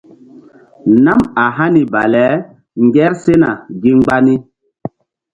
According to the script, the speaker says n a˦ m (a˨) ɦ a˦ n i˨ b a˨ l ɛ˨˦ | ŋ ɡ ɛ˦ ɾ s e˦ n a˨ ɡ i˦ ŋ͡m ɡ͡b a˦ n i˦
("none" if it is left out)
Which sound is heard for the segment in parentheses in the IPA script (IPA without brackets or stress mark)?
a˨